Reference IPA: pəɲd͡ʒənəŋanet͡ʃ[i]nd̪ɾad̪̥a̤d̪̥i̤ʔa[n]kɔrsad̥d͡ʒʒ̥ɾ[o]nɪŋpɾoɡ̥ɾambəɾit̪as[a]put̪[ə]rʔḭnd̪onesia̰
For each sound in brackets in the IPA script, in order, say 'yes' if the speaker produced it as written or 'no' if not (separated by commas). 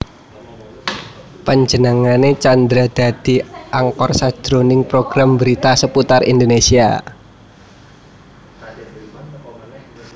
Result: no, no, yes, no, no